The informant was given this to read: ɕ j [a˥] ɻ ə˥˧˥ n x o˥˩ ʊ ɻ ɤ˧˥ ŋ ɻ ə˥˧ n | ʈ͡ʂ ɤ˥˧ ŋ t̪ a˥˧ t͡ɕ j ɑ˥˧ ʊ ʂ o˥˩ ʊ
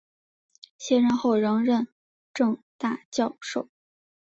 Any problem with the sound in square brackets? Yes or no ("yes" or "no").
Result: yes